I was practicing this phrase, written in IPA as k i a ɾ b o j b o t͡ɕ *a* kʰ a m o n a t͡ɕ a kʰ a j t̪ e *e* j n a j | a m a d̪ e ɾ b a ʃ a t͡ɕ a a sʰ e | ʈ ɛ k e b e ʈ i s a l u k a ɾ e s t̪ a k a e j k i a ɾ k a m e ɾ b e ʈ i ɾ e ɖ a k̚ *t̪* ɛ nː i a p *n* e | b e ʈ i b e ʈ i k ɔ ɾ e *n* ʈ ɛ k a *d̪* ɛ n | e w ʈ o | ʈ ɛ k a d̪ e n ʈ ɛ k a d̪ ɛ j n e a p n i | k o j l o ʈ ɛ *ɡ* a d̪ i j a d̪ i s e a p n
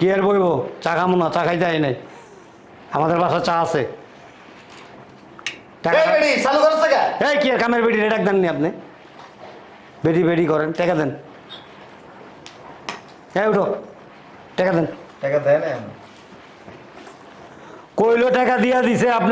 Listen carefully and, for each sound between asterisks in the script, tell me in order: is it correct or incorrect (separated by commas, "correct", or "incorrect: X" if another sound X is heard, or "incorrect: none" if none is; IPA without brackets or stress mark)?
correct, incorrect: a, incorrect: d̪, correct, correct, correct, incorrect: k